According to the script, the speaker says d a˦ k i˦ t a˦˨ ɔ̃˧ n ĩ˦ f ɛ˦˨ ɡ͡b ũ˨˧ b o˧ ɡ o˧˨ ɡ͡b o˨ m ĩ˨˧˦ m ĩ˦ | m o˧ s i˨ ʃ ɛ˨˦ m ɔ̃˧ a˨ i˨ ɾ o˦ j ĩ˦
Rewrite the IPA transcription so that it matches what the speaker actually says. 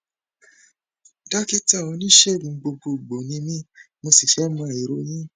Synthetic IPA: d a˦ k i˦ t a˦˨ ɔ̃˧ n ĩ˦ ʃ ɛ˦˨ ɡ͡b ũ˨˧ ɡ͡b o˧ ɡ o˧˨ ɡ͡b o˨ n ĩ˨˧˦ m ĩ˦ | m o˧ s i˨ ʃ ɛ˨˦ m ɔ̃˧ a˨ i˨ ɾ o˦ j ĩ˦